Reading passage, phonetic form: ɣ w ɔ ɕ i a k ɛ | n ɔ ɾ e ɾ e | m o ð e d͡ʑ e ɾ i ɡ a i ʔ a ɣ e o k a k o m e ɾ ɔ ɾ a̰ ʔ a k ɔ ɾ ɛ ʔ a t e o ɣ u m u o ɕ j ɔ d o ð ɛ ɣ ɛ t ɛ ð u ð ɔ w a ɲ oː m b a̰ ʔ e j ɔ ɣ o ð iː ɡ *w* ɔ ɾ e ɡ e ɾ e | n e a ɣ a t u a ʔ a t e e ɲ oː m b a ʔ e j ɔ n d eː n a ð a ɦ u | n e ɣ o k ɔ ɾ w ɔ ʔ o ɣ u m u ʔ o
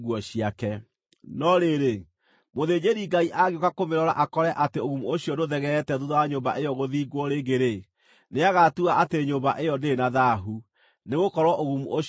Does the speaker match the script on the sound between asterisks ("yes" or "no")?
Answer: yes